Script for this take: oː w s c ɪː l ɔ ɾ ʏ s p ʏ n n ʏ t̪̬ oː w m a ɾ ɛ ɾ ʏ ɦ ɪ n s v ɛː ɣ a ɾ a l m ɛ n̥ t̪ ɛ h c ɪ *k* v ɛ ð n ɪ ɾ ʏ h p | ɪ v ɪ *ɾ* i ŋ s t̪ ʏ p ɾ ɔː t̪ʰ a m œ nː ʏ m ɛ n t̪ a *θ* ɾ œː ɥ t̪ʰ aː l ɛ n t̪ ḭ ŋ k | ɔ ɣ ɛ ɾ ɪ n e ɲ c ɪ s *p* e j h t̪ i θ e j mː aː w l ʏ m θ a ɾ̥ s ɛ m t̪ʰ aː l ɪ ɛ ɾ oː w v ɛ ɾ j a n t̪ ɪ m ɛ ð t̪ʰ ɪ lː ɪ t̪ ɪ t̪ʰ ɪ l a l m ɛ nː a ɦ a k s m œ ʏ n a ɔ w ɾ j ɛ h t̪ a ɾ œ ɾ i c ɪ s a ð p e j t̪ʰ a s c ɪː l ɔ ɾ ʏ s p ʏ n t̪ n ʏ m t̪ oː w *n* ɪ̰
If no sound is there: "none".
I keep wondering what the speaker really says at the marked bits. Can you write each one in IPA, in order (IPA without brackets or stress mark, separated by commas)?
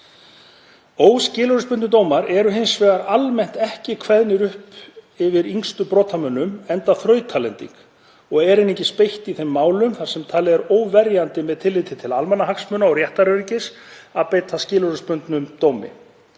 kʰ, ɾ, θ, p, m